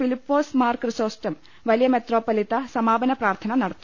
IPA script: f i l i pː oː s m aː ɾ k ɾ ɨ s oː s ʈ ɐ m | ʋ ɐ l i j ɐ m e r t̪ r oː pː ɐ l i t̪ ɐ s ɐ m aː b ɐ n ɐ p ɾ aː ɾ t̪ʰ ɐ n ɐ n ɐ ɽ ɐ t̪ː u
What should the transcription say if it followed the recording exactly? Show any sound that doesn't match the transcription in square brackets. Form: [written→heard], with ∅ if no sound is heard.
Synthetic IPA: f i l i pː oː s m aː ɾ k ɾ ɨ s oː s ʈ ɐ m | ʋ ɐ l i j ɐ m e [r→∅] t̪ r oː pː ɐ l i t̪ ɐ s ɐ m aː b ɐ n ɐ p ɾ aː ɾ t̪ʰ ɐ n ɐ n ɐ ɽ ɐ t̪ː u

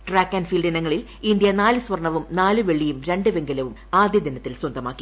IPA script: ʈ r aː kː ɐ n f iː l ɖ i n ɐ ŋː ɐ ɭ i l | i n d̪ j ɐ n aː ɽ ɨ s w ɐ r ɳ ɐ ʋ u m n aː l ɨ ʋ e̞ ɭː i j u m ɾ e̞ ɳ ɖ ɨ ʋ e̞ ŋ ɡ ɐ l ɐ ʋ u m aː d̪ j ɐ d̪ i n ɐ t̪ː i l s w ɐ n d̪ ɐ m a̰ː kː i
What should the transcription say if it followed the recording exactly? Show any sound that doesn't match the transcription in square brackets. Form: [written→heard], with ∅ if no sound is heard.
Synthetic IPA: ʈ r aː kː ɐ n f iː l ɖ i n ɐ ŋː ɐ ɭ i l | i n d̪ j ɐ n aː [ɽ→l] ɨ s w ɐ r ɳ ɐ ʋ u m n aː l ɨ ʋ e̞ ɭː i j u m ɾ e̞ ɳ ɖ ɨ ʋ e̞ ŋ ɡ ɐ l ɐ ʋ u m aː d̪ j ɐ d̪ i n ɐ t̪ː i l s w ɐ n d̪ ɐ m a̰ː kː i

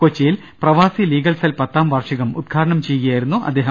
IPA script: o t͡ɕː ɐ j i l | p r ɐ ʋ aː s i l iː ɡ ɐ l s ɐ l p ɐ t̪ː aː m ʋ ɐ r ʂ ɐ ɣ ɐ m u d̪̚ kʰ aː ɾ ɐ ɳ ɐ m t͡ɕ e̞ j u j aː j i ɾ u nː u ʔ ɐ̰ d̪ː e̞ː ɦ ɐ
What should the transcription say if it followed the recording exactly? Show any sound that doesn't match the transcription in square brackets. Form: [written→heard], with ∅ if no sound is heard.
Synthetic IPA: o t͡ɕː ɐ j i l | p r ɐ ʋ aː s i l iː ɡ ɐ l s ɐ l p ɐ t̪ː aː m ʋ ɐ r ʂ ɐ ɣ ɐ m u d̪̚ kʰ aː ɾ ɐ ɳ ɐ m t͡ɕ e̞ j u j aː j i ɾ u nː u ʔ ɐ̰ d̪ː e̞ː ɦ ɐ

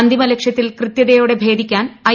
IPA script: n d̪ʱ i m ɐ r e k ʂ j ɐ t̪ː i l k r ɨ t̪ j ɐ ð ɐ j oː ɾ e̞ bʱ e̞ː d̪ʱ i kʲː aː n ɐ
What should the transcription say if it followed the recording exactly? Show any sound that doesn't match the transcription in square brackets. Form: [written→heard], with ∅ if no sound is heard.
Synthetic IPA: n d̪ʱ i m ɐ [r→l] e k ʂ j ɐ t̪ː i l k r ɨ t̪ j ɐ ð ɐ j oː [ɾ→ɽ] e̞ bʱ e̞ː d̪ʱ i kʲː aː n ɐ

